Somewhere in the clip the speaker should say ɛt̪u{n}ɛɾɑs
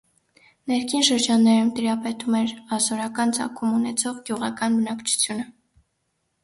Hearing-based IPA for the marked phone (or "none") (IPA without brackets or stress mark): m